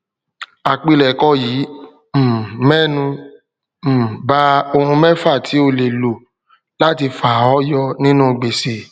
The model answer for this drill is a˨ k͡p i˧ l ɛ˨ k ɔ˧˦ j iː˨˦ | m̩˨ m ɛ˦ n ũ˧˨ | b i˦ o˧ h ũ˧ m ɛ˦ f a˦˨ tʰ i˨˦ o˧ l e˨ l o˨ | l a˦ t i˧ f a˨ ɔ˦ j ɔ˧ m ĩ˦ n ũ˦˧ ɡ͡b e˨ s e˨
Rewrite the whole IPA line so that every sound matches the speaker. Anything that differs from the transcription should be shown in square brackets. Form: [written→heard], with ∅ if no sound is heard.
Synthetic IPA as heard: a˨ k͡p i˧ l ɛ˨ k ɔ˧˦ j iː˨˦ | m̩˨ m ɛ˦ n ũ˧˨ | b [i˦→a˦] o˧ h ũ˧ m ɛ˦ f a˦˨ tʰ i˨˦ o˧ l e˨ l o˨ | l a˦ t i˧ f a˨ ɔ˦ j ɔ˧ [m→n] ĩ˦ n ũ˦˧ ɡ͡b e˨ s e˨